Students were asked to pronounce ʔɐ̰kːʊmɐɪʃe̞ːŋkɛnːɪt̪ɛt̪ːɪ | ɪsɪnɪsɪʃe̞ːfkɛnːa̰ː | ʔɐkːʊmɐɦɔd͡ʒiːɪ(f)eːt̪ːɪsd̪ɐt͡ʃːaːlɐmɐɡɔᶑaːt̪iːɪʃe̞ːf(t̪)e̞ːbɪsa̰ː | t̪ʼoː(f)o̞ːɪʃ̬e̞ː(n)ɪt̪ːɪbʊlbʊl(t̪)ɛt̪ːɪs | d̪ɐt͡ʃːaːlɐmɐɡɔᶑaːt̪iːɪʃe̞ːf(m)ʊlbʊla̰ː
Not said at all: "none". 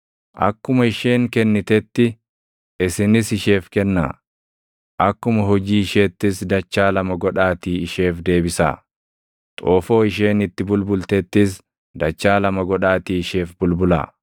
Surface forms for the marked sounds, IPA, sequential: ʃ, d̪, f, n, t̪, b

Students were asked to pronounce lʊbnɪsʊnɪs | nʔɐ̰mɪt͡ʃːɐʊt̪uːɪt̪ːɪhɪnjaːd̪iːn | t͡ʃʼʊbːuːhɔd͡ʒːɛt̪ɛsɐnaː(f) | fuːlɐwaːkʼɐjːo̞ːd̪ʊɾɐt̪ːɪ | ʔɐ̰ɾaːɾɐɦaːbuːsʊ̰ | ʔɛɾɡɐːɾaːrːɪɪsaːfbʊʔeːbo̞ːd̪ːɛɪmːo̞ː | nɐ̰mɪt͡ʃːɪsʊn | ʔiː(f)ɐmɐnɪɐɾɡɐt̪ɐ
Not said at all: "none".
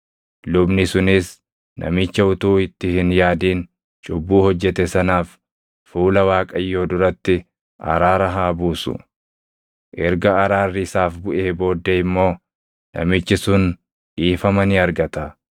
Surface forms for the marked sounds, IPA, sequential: f, f

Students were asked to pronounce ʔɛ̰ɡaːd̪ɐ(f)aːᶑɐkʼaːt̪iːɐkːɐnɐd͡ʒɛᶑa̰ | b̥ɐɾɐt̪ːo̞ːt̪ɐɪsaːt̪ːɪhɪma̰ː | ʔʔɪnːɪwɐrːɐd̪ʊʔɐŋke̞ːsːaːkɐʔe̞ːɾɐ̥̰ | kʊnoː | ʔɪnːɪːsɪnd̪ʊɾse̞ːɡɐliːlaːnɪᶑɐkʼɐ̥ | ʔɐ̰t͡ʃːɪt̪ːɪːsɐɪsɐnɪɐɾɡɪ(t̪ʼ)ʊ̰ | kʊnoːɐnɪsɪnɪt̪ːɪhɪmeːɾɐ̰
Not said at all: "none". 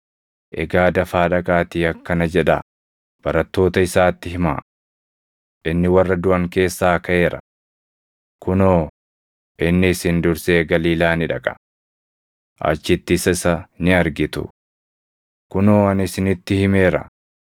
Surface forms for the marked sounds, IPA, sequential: f, t̪

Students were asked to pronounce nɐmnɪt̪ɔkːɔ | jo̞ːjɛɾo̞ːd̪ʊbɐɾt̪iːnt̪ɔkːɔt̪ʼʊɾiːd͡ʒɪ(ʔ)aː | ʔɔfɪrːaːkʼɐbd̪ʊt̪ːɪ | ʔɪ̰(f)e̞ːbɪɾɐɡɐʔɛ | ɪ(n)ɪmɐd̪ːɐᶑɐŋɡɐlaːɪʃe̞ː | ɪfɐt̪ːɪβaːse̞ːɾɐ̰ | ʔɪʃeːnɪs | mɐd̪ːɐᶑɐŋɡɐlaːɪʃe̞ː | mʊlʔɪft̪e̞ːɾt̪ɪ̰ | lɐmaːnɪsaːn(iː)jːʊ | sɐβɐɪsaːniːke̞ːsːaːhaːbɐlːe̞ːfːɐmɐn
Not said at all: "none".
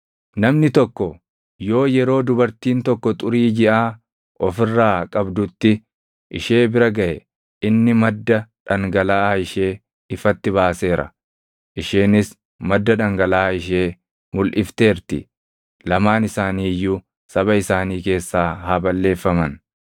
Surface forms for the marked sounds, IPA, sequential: ʔ, ʃ, nː, iː

